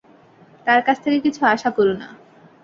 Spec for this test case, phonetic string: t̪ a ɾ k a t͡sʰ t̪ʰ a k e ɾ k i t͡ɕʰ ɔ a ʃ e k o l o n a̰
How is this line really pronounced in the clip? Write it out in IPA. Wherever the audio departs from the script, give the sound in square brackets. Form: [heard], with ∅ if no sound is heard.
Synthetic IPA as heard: t̪ a ɾ k a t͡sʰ t̪ʰ [e] k e [∅] k i t͡ɕʰ [u] a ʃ [a] k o [ɾ] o n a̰